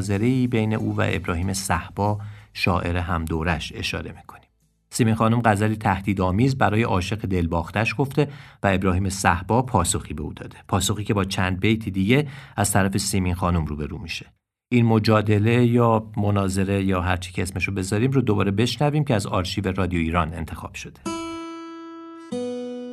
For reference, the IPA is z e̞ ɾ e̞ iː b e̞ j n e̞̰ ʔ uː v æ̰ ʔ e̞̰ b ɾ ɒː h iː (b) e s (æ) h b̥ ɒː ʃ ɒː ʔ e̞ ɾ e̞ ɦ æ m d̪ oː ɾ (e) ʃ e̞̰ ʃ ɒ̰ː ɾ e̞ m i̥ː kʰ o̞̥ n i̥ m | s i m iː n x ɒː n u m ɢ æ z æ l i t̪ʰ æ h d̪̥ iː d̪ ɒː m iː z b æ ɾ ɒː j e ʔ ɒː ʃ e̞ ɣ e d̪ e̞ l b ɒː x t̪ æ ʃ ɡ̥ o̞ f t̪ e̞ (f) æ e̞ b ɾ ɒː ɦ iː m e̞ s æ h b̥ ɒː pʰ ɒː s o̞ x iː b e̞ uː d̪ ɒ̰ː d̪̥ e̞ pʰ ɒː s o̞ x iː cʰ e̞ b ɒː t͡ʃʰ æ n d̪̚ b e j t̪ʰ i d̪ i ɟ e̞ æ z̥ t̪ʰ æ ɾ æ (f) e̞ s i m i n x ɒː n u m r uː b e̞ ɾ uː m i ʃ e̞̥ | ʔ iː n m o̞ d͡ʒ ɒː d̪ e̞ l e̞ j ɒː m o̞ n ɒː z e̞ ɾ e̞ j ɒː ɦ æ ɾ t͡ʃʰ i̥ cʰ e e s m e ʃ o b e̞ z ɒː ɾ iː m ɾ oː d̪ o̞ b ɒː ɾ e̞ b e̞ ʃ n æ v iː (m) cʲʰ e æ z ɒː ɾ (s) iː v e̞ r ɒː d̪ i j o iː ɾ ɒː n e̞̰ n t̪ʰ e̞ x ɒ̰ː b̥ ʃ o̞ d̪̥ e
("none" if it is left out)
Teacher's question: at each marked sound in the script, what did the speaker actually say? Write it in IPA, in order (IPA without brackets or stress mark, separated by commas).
m, æ, æ, v, f, m, ʃ